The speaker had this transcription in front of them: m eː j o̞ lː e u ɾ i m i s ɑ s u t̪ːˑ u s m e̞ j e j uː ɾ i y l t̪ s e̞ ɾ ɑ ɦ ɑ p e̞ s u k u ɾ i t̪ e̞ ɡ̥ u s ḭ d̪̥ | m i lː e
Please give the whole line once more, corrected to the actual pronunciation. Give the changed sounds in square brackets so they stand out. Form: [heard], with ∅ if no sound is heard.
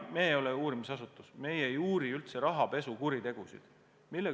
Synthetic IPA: m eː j o̞ [l] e [uː] ɾ i m i s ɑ s u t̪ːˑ u s m e̞ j e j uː ɾ i y l t̪ s e̞ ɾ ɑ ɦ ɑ p e̞ s u k u ɾ i t̪ e̞ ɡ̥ u s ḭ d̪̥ | m i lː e